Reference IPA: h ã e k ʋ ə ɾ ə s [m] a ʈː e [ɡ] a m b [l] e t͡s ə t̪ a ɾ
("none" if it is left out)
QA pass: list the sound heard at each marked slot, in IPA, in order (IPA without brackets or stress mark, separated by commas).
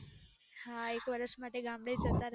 m, ɡ, ɽ